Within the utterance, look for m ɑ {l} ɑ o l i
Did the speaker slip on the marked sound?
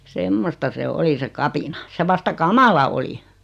no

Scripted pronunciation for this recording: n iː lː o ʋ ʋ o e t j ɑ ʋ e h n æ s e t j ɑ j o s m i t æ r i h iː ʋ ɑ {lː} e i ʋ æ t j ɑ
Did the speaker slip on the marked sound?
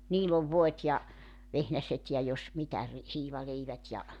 yes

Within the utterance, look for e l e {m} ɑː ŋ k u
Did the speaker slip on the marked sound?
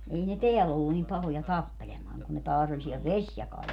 no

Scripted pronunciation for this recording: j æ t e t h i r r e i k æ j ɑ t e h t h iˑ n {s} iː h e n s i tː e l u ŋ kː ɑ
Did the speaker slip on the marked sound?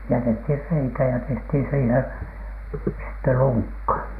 no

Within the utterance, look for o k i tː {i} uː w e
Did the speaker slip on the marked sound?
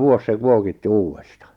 no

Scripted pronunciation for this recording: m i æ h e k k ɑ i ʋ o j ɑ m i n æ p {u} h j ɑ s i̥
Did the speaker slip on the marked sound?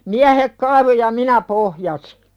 yes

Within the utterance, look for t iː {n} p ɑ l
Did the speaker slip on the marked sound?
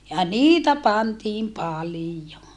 yes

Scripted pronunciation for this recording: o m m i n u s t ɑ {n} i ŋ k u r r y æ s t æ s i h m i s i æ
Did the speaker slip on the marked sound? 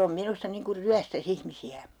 no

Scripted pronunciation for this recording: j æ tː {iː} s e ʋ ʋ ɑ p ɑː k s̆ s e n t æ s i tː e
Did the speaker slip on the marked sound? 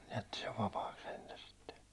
yes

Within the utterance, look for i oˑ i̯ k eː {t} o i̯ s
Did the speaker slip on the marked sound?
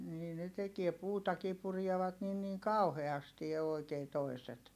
no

